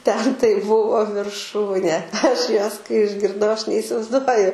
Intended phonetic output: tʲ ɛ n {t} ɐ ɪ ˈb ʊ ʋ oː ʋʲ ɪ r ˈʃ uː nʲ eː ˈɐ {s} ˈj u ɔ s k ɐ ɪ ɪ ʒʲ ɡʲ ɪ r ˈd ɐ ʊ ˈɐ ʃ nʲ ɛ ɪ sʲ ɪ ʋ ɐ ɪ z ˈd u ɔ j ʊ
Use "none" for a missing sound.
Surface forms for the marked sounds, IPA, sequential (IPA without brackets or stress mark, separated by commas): t, ʃ